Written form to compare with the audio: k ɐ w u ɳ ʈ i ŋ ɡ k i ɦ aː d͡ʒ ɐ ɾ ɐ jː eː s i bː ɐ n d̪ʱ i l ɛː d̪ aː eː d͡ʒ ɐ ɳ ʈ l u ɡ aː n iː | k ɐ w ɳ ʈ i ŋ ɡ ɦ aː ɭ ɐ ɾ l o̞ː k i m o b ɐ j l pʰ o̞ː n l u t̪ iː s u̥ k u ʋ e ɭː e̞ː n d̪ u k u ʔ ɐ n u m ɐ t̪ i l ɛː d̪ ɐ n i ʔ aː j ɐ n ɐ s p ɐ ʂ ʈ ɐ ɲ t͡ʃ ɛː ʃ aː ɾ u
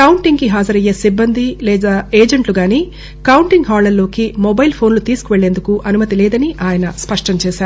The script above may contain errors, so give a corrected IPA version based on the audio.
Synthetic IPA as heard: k ɐ w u ɳ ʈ i ŋ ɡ k i ɦ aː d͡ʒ ɐ ɾ ɐ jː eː s i bː ɐ n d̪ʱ i l ɛː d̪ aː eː d͡ʒ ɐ ɳ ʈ l u ɡ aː n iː | k ɐ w ɳ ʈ i ŋ ɡ ɦ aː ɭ ɐ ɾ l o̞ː k i m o b ɐ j l pʰ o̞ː n l u t̪ iː s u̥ k u ʋ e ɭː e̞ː n d̪ u k u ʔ ɐ n u m ɐ t̪ i l ɛː d̪ ɐ n i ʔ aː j ɐ n ɐ s p ɐ ʂ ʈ ɐ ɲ t͡ʃ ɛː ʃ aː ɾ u